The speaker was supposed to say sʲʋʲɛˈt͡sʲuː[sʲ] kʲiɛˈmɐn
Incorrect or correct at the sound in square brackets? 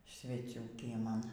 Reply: incorrect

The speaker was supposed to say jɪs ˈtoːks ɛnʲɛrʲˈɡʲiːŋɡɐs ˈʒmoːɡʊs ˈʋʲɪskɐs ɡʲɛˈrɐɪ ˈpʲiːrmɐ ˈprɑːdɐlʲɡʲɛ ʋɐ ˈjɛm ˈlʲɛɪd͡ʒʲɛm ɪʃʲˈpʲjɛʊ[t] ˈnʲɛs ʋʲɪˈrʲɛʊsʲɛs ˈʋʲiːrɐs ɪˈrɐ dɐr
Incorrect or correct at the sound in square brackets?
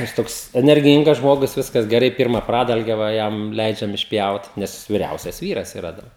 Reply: correct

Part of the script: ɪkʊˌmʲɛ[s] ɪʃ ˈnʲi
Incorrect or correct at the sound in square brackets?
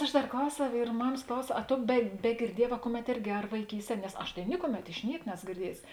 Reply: incorrect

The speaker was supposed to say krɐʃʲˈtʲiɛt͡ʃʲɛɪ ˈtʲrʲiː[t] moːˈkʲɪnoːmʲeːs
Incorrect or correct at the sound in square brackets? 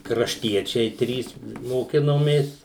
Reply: incorrect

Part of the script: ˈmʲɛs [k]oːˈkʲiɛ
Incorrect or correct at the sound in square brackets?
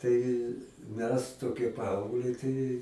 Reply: incorrect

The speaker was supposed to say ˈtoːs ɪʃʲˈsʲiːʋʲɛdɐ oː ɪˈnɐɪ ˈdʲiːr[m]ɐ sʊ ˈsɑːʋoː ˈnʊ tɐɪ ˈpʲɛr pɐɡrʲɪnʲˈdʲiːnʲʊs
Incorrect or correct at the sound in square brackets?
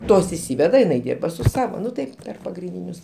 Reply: incorrect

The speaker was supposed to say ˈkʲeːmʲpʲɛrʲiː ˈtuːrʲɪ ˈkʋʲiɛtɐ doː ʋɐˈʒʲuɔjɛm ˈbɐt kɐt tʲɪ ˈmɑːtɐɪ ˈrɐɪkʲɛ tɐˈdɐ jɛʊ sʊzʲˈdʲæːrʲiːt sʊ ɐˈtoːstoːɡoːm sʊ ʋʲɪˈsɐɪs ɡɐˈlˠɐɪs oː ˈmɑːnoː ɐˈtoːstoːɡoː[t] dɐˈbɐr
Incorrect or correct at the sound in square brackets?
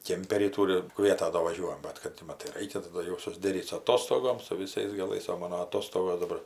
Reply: incorrect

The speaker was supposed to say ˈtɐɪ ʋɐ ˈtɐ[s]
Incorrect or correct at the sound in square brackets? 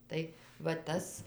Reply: correct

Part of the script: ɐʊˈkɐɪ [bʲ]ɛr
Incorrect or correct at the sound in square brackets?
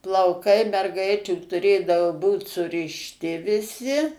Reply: incorrect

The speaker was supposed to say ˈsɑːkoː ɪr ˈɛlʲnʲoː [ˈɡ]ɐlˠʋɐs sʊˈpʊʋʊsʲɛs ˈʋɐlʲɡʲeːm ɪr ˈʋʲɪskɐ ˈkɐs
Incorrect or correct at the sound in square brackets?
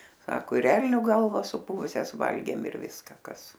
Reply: correct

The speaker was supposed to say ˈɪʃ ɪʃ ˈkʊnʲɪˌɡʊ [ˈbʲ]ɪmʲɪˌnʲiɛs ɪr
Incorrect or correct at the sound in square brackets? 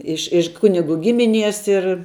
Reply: incorrect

